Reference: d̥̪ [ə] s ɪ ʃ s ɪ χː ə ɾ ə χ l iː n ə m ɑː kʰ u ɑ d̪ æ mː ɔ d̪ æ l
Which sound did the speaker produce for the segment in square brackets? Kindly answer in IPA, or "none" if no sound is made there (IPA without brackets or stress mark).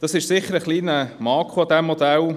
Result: ɑ